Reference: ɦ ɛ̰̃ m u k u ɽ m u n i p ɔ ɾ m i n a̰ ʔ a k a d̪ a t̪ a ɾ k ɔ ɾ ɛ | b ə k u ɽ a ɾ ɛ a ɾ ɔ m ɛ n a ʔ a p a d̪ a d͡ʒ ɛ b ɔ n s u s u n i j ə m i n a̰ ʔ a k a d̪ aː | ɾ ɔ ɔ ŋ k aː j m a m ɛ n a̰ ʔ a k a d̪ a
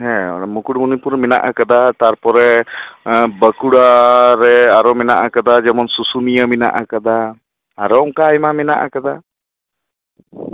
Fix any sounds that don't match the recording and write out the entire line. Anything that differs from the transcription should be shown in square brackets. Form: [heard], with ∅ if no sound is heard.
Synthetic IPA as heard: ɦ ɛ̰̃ m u k u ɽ m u n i p [u] ɾ m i n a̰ ʔ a k a d̪ a t̪ a ɾ [p] ɔ ɾ ɛ | b ə k u ɽ a ɾ ɛ a ɾ ɔ m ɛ n a ʔ a [k] a d̪ a d͡ʒ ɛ [m] ɔ n s u s u n i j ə m i n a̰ ʔ a k a d̪ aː | ɾ ɔ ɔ ŋ k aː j m a m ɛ n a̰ ʔ a k a d̪ a